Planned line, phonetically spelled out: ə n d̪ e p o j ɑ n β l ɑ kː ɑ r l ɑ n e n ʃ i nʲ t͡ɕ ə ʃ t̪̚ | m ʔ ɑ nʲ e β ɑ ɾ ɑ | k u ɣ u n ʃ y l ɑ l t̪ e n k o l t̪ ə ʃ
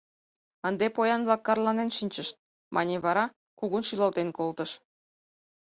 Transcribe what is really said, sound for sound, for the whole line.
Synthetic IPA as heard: ə n d̪ e p o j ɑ n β l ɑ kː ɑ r l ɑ n e n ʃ i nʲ t͡ɕ ə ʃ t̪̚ | m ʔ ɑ nʲ e β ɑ ɾ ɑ | k u ɣ u n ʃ y l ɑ l t̪ e n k o l t̪ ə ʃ